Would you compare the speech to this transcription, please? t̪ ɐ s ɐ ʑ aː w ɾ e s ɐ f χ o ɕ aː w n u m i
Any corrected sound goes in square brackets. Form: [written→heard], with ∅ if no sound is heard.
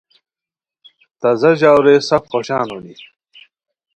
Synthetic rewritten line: t̪ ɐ [s→z] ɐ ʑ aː w ɾ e s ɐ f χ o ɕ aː [w→∅] n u [m→n] i